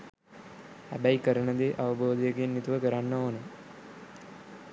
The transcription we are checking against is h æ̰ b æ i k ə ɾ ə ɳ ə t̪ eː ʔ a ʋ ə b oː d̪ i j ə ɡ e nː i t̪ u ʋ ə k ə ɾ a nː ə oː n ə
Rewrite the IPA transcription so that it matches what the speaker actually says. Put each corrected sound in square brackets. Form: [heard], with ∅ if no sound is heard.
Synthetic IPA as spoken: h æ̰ b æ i k ə ɾ ə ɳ ə [d̪] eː ʔ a ʋ ə b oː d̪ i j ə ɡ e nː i t̪ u ʋ ə k ə ɾ a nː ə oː n ə